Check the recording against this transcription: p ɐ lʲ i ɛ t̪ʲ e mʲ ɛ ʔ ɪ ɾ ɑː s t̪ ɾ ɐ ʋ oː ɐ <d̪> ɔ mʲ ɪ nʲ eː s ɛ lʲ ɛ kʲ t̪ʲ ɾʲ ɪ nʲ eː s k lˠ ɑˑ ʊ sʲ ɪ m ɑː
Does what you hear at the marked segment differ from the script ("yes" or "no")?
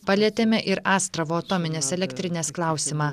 yes